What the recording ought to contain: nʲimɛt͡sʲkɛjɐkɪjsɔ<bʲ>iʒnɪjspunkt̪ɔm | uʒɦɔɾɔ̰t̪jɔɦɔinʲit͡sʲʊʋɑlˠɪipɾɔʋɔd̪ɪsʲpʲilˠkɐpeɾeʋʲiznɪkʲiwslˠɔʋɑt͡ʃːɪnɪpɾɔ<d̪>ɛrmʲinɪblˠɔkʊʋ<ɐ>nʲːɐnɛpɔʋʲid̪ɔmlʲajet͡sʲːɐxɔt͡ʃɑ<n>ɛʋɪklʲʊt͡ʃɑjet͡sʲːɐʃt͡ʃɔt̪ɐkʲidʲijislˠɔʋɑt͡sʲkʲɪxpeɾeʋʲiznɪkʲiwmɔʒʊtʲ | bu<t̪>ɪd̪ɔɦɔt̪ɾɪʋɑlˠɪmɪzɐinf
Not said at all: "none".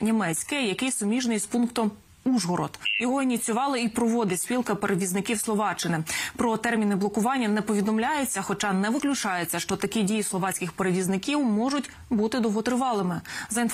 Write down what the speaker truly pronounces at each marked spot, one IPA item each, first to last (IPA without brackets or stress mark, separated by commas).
mʲ, t̪, ɑ, n, t̪